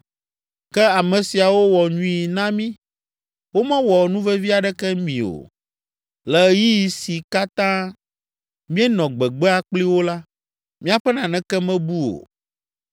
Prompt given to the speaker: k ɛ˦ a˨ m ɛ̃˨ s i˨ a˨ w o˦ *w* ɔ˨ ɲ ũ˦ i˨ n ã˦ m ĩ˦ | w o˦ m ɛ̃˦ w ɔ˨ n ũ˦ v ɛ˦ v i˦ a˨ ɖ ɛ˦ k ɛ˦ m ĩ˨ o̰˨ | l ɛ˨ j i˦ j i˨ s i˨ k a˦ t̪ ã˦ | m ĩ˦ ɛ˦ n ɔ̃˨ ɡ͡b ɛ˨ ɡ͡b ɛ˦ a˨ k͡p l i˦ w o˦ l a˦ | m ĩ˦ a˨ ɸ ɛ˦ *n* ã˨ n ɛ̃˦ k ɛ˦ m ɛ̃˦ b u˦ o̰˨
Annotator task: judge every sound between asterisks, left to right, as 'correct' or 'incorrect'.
correct, correct

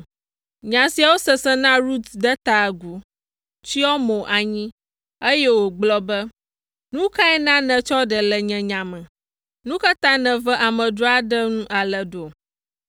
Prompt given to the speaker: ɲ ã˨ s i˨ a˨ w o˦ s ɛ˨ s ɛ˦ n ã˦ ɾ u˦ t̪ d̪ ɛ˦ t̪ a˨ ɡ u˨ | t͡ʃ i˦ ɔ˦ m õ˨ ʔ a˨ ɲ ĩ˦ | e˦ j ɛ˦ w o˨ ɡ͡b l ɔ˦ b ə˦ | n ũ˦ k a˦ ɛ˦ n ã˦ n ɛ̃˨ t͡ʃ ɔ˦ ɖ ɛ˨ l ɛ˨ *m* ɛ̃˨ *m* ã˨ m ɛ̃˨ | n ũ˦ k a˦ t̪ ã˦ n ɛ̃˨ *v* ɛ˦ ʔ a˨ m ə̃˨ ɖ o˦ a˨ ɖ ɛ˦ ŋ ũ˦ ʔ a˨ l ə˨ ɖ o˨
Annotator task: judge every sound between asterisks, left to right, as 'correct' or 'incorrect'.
incorrect: ɲ, incorrect: ɲ, correct

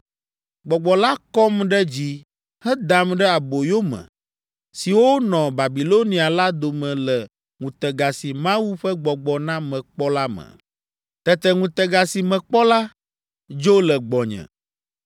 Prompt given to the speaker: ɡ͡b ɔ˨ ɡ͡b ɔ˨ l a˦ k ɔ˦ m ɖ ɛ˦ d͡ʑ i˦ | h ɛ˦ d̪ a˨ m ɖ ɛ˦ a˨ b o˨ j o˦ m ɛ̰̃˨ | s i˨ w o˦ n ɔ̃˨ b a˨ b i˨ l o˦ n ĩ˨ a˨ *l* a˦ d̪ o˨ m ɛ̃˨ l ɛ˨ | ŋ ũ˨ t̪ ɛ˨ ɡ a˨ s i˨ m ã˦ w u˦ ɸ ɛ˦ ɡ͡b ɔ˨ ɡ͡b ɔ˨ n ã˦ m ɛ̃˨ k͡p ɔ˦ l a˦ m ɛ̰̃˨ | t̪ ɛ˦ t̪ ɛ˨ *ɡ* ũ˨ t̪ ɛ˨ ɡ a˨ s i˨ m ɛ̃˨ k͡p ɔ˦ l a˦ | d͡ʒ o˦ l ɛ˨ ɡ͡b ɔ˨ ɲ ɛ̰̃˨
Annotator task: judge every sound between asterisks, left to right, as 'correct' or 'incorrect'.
correct, incorrect: ŋ

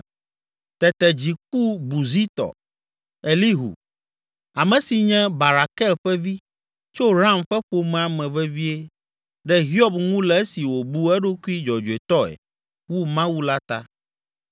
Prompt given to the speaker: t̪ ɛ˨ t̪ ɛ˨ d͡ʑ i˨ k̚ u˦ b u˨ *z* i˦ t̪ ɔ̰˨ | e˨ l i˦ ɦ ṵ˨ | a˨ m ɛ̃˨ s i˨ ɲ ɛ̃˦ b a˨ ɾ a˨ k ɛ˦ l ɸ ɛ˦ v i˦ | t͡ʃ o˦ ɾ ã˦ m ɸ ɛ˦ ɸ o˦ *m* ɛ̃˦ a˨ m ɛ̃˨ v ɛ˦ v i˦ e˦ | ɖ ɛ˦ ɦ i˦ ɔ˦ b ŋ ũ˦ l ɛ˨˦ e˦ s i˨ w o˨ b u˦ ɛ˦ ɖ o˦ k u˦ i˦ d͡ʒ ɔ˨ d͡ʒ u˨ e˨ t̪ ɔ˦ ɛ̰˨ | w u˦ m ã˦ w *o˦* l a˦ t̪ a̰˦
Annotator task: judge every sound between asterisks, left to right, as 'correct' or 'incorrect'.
correct, correct, incorrect: u˦

